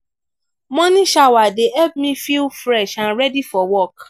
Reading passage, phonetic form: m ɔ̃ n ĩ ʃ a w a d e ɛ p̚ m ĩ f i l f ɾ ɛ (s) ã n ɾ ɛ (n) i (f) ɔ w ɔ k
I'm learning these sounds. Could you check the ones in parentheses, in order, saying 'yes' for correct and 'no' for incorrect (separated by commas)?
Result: no, no, yes